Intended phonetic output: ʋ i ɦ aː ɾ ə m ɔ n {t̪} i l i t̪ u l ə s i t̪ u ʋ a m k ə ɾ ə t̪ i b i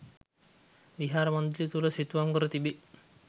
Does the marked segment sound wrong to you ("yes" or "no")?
yes